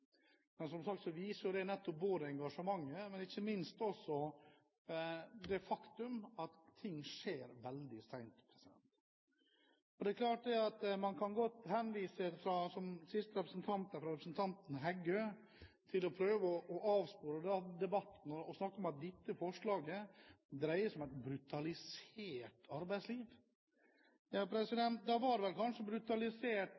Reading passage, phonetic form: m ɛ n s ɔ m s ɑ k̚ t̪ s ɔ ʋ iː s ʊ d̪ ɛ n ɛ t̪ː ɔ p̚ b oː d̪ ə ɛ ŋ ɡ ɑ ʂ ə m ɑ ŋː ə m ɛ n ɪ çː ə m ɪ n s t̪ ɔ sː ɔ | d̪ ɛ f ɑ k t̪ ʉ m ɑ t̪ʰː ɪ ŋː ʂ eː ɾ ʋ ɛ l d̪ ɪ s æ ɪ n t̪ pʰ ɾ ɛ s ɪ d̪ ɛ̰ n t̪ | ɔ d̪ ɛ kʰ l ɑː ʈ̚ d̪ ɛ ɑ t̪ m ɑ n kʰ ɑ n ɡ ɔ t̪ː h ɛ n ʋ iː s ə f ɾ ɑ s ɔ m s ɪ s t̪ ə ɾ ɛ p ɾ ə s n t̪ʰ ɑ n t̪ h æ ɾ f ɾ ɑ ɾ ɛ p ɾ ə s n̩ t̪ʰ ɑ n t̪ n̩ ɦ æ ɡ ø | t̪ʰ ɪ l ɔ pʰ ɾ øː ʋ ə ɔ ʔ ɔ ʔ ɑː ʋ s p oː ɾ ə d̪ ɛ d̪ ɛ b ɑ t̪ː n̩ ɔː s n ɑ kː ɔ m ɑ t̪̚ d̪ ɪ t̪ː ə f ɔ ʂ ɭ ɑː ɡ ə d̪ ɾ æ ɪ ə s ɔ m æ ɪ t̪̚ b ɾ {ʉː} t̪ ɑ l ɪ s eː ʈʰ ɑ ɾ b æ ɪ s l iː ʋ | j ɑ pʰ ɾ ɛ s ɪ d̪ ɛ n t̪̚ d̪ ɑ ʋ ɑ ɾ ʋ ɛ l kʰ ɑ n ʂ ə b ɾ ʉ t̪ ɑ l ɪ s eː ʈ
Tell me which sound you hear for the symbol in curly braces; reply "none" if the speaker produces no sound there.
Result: ʉ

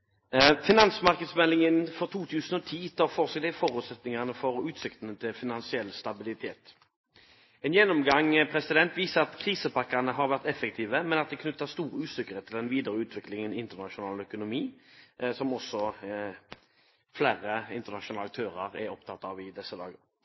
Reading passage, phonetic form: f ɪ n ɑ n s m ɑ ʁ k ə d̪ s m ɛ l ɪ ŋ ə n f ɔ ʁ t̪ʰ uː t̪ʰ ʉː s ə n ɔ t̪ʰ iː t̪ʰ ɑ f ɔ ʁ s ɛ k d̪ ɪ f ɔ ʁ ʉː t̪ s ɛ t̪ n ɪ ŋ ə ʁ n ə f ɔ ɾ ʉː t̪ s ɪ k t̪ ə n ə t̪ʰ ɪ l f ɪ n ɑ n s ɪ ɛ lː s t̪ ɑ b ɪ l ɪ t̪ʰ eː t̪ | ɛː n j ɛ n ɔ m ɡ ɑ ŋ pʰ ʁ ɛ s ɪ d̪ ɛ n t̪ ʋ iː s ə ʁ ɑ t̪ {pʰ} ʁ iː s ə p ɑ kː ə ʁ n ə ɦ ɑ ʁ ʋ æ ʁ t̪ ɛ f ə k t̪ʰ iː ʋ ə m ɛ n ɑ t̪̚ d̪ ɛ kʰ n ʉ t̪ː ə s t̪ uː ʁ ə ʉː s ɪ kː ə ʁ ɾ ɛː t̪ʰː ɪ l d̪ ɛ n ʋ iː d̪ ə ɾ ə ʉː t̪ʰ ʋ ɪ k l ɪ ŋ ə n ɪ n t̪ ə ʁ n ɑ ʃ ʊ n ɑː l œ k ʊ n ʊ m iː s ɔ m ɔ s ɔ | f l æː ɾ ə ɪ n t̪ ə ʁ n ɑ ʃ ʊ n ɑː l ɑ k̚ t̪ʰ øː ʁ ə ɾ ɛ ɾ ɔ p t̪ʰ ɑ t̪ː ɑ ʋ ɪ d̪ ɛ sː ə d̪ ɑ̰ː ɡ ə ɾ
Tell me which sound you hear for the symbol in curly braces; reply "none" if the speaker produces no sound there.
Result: kʰ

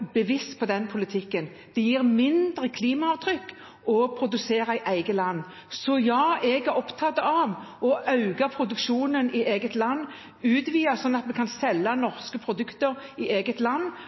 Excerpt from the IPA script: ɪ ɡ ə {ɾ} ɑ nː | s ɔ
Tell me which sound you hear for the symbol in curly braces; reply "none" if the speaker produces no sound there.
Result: l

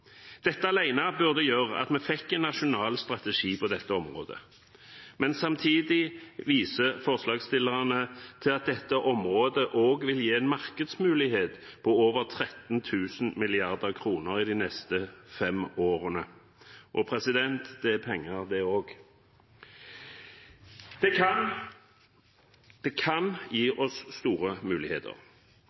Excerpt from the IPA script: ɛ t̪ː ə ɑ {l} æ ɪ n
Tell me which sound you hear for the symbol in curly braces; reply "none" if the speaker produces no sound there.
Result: l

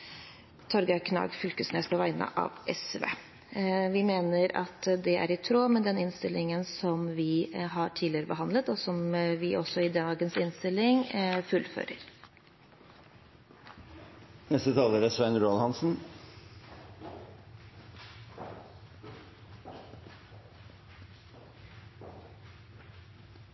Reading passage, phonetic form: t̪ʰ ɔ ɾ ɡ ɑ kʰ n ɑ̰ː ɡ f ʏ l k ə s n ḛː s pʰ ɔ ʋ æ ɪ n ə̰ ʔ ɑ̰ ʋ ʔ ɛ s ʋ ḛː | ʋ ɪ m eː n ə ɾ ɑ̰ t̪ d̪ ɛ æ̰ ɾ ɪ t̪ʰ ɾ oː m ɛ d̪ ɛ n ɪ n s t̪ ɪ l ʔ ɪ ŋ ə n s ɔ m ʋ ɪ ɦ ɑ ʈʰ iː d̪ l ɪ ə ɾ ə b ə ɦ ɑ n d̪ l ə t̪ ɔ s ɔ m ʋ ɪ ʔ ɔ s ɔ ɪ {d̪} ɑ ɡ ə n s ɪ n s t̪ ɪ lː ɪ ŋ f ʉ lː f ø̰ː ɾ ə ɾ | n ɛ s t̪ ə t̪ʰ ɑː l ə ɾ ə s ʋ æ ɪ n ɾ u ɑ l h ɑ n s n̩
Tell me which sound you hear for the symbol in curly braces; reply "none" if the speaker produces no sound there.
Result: d̪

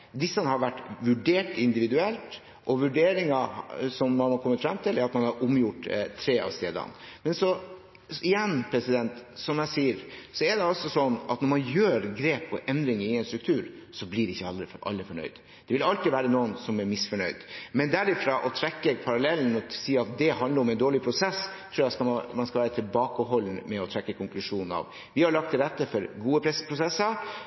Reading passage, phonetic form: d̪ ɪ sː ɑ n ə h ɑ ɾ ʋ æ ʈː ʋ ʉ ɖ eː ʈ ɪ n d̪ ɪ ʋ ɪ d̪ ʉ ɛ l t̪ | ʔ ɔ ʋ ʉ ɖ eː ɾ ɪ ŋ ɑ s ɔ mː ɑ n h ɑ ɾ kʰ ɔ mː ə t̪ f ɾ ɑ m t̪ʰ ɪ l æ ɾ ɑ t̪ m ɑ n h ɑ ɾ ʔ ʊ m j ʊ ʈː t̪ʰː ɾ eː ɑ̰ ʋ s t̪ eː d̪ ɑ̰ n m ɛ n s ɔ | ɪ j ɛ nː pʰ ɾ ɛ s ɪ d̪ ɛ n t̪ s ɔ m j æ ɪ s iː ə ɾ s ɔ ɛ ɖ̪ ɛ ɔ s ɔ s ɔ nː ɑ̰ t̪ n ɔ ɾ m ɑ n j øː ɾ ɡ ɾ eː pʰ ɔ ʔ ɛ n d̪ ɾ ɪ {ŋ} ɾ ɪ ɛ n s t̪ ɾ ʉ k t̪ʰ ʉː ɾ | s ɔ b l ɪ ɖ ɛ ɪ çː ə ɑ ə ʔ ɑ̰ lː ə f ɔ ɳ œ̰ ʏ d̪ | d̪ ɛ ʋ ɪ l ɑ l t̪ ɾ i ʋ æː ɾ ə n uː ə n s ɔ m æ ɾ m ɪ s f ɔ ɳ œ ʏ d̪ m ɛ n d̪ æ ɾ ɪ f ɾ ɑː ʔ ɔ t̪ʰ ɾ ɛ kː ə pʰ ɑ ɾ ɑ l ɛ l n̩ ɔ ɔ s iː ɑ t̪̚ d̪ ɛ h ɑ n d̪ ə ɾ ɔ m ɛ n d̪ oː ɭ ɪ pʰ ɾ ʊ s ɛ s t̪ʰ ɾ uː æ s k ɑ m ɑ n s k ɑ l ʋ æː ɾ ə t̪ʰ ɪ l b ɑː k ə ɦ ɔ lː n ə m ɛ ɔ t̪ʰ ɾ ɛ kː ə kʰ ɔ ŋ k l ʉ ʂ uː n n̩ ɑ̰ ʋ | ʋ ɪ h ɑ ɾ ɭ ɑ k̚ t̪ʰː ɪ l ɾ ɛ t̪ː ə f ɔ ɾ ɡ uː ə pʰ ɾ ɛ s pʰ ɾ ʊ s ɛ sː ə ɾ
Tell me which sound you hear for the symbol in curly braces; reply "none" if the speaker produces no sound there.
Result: ŋ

